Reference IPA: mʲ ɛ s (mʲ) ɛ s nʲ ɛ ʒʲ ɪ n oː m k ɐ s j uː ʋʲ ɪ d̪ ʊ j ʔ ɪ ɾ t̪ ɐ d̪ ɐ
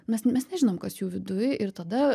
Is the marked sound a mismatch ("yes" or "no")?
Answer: no